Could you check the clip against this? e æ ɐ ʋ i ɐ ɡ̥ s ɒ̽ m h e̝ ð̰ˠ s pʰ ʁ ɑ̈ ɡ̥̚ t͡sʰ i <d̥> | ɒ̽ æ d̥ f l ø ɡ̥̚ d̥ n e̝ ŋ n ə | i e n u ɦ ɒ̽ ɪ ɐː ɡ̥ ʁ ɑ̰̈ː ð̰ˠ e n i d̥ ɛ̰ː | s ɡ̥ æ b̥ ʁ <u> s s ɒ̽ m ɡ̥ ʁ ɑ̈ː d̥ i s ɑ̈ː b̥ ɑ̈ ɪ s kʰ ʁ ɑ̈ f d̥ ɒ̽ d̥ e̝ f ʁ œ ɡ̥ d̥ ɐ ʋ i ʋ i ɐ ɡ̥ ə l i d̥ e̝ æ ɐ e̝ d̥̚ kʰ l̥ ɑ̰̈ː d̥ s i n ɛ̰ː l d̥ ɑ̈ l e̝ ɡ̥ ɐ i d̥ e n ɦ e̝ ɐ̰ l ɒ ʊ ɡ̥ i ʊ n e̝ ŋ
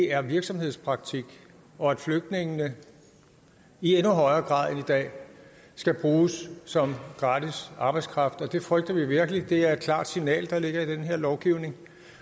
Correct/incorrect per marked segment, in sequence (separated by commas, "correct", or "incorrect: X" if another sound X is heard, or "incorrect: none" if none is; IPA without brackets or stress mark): incorrect: ɡ̥, incorrect: uː